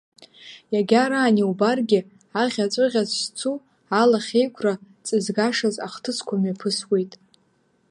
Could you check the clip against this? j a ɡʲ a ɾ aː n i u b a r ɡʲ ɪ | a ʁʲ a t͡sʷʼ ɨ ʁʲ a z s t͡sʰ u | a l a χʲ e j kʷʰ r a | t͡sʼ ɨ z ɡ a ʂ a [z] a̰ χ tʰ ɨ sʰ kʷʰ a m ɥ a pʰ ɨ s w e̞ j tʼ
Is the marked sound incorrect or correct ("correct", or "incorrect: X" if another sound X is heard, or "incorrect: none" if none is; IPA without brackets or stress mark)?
correct